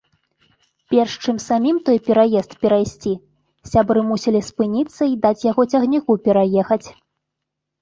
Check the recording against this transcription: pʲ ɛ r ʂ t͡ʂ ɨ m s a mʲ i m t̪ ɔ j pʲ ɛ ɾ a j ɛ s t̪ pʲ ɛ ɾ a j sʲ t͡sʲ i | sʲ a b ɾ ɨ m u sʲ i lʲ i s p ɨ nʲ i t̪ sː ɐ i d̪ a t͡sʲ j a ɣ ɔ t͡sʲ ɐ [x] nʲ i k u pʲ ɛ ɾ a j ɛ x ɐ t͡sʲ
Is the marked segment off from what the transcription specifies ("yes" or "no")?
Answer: yes